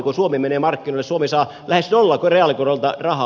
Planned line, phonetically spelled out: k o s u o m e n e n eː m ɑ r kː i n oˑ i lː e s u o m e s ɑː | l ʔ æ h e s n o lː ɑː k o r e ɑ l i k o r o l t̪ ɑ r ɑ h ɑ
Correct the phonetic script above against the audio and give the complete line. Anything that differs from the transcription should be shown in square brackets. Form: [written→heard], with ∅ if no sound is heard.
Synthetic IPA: k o s u o m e [n→m] e n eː m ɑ r kː i n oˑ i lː e s u o m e s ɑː | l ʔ æ h e s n o lː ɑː k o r e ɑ l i k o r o l t̪ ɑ r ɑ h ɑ